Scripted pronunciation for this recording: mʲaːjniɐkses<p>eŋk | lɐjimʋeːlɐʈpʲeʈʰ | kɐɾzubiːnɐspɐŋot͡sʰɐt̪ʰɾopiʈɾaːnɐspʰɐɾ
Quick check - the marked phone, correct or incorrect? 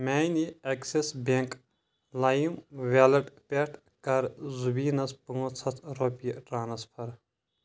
incorrect